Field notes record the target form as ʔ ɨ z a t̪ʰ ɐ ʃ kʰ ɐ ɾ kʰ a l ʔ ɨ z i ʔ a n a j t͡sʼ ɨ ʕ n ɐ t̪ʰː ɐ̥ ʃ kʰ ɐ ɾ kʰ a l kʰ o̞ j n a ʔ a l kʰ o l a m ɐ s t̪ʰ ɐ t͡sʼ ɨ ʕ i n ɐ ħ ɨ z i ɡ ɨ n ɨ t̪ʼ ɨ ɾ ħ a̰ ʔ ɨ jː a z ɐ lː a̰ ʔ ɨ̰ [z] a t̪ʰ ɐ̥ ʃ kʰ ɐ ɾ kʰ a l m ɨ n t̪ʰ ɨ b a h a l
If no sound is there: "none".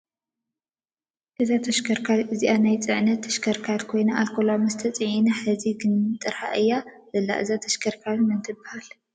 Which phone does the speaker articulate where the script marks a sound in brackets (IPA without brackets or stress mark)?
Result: z